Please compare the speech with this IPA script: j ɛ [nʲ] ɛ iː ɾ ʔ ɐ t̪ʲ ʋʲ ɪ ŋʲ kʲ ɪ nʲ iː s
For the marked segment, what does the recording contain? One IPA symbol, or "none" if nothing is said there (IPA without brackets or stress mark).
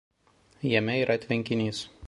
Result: mʲ